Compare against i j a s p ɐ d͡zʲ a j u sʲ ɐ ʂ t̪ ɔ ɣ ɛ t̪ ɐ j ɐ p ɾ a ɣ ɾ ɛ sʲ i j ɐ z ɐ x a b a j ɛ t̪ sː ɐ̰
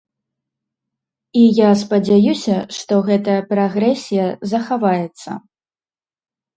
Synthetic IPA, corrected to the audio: i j a s p ɐ d͡zʲ a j u sʲ ɐ ʂ t̪ ɔ ɣ ɛ t̪ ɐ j ɐ p ɾ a ɣ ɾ ɛ sʲ i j ɐ z ɐ x a v a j ɛ t̪ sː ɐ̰